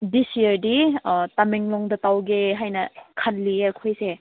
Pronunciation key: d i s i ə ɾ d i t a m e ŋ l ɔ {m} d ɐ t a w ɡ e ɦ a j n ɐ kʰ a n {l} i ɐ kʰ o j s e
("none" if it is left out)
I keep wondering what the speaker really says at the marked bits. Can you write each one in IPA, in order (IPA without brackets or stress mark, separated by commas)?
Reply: ŋ, l